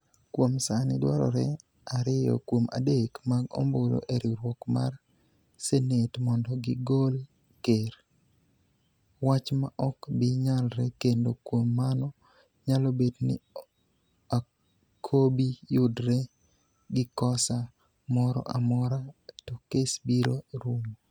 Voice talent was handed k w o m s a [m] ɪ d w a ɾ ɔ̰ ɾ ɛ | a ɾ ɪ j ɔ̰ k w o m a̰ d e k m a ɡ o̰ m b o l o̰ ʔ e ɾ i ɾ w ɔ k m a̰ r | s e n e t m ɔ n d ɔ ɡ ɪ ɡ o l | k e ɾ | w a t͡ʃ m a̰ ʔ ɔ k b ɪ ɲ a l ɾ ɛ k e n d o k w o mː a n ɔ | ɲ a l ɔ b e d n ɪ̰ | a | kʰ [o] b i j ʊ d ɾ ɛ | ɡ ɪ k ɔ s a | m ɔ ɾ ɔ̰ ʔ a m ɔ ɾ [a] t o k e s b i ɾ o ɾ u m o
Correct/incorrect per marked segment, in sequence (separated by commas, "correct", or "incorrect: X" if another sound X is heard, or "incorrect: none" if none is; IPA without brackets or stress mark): incorrect: n, correct, correct